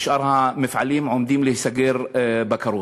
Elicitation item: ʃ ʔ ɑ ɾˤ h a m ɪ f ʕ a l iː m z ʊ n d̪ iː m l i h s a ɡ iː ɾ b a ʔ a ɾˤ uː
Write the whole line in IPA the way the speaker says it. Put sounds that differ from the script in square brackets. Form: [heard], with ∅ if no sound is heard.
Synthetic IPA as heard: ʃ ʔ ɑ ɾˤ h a m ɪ f ʕ a l iː m [ʕ] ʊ [m] d̪ iː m l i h s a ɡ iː ɾ b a [k] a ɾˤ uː